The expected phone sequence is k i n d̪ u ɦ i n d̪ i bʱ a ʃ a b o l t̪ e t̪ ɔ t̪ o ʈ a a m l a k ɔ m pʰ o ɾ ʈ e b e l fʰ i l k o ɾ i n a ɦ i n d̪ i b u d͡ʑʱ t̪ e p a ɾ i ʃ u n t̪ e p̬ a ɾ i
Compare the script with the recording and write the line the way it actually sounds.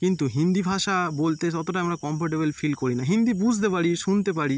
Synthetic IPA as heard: k i n t̪ u ɦ i n d̪ i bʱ a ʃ a b o l t̪ e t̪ ɔ t̪ o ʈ a a m ɾ a k ɔ m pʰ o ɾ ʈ e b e l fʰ i l k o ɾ i n a ɦ i n d̪ i b u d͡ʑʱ t̪ e p a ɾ i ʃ u n t̪ e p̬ a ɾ i